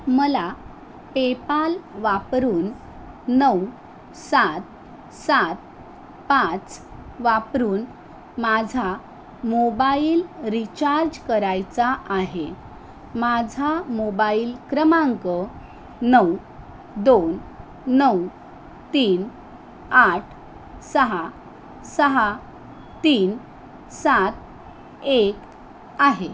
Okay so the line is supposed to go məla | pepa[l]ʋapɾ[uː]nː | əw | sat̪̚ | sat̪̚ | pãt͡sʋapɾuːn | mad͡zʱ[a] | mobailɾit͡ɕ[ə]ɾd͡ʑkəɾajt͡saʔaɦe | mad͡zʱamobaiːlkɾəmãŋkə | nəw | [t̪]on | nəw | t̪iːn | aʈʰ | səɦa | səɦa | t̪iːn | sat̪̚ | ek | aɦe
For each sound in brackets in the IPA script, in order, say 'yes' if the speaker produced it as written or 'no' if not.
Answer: yes, yes, yes, no, no

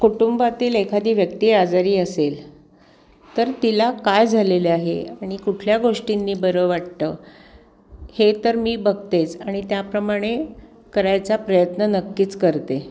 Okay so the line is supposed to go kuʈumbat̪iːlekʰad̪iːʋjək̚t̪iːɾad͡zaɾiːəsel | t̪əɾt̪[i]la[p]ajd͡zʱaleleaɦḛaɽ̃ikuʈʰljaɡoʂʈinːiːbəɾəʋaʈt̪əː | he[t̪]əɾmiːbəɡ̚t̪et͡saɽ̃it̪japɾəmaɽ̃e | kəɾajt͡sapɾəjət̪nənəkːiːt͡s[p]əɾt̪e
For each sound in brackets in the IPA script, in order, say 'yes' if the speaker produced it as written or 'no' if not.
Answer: yes, no, yes, no

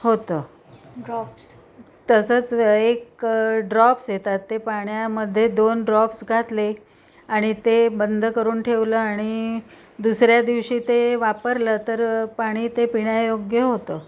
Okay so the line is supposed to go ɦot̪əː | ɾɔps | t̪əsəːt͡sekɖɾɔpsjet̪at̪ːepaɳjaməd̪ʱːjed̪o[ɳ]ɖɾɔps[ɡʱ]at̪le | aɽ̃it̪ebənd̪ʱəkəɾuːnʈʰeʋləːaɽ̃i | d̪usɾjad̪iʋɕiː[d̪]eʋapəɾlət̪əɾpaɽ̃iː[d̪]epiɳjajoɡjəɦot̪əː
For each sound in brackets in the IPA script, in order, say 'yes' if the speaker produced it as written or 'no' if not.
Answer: no, yes, no, no

